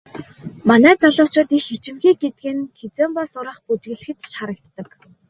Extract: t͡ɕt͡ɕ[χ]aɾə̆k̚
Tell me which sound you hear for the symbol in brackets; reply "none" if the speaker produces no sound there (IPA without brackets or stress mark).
χ